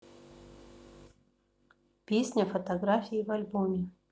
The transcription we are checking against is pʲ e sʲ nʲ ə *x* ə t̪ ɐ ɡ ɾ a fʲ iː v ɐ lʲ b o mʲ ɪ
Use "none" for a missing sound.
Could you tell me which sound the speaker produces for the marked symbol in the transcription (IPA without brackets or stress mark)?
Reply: f